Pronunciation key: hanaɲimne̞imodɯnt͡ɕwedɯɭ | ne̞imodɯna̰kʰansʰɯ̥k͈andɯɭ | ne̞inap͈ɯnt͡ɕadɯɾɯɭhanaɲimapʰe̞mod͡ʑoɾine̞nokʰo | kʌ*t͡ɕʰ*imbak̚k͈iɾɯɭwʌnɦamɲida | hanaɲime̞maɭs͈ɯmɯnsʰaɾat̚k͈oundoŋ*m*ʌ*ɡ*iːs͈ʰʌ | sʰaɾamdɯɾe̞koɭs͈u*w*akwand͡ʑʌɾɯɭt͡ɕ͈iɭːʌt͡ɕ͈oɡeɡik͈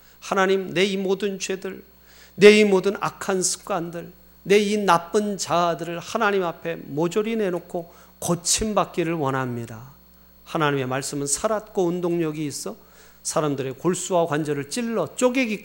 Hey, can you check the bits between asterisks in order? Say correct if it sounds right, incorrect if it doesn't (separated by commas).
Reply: correct, incorrect, correct, correct